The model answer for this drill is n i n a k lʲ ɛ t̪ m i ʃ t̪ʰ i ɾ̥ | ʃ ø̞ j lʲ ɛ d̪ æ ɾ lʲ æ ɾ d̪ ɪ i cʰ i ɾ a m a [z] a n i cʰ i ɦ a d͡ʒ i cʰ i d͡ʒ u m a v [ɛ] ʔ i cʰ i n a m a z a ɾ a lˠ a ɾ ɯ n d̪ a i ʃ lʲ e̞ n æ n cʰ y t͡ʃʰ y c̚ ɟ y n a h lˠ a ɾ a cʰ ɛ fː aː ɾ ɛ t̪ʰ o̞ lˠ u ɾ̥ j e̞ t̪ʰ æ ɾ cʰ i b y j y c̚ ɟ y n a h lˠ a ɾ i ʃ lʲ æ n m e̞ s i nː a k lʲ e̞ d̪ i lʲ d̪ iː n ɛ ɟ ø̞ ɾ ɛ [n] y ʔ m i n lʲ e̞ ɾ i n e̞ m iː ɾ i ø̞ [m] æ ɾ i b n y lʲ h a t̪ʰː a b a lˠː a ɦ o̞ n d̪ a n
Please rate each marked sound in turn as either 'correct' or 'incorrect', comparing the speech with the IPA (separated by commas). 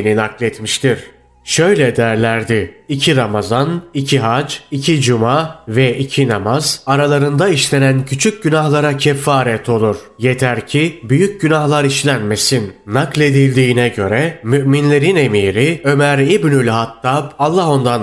correct, correct, incorrect, correct